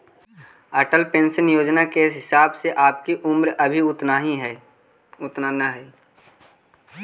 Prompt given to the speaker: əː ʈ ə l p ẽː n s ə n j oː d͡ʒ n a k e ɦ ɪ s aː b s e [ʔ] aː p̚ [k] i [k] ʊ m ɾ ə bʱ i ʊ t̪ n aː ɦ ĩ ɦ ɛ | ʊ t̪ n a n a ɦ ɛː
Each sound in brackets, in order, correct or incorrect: correct, correct, incorrect: ʔ

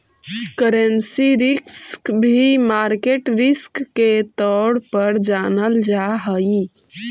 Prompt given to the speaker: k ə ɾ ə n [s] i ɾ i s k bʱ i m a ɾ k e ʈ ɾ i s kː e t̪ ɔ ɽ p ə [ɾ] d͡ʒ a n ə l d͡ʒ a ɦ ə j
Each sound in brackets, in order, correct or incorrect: correct, correct

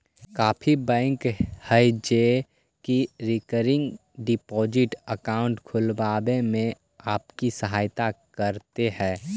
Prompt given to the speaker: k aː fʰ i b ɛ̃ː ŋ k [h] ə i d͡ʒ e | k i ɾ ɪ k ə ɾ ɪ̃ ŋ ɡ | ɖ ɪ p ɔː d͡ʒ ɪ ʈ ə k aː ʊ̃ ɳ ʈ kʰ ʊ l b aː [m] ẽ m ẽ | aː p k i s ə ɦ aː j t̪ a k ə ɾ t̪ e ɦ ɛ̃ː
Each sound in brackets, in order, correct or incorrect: correct, incorrect: b

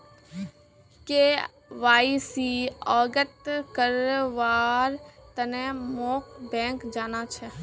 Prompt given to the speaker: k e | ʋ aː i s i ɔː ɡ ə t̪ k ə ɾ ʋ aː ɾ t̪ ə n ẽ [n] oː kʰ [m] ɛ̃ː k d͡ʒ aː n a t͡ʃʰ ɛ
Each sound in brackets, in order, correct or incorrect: incorrect: m, incorrect: b

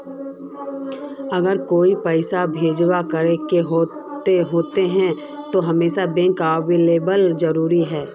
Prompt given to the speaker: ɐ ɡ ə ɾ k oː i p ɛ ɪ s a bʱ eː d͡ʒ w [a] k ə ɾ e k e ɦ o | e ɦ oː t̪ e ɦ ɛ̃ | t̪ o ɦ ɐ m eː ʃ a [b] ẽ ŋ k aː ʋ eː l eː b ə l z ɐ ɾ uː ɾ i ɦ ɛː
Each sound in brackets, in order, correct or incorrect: correct, correct

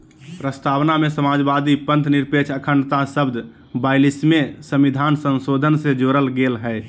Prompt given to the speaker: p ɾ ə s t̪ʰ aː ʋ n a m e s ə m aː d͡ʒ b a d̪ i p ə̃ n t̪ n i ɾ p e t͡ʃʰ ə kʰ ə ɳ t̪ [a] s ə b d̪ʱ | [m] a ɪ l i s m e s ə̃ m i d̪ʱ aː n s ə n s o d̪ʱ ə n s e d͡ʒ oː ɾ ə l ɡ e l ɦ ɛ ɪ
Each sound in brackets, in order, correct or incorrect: correct, incorrect: b

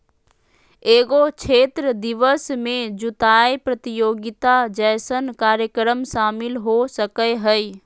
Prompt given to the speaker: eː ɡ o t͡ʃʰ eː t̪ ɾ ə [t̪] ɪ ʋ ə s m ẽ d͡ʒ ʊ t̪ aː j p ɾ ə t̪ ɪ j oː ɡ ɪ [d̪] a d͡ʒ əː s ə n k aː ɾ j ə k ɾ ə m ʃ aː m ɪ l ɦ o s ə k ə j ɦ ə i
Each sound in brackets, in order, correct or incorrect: incorrect: d̪, incorrect: t̪

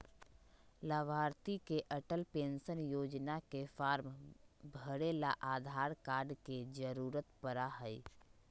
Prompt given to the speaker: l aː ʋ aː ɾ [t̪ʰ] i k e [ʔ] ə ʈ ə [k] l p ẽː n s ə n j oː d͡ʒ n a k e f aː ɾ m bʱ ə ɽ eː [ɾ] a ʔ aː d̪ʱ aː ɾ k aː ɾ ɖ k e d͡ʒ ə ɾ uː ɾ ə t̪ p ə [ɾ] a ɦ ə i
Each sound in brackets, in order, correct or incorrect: incorrect: t̪, correct, incorrect: none, incorrect: l, correct

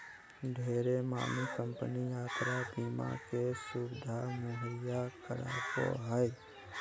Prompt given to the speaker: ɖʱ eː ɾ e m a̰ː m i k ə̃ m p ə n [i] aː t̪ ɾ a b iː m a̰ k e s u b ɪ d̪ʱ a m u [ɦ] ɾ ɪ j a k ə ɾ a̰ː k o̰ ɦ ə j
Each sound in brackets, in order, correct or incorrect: correct, correct

